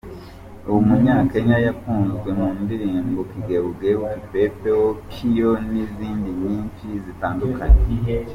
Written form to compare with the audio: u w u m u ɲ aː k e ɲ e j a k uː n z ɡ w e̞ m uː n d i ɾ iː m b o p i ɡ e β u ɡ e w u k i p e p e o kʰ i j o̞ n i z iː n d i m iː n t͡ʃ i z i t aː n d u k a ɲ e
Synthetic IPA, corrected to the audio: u w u m u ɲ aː k e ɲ a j a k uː n z ɡ w e̞ m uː n d i ɾ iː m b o k i ɡ e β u ɡ e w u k i p e p e o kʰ i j o̞ n i z iː n d i ɲ iː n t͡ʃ i z i t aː n d u k a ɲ e